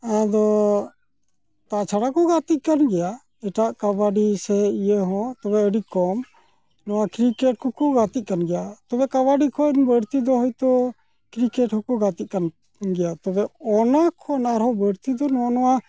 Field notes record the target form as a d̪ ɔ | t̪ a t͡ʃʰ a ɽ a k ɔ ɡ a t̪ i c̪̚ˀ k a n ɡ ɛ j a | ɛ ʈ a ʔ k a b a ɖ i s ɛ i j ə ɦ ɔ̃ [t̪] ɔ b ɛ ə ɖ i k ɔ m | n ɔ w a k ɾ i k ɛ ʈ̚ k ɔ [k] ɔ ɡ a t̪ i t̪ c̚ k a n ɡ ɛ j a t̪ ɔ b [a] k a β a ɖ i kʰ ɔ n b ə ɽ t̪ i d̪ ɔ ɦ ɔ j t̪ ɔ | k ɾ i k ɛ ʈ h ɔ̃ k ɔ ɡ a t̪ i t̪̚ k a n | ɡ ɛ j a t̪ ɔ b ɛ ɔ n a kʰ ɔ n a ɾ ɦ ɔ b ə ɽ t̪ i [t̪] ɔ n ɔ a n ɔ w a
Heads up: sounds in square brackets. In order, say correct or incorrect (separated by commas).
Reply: correct, correct, incorrect, incorrect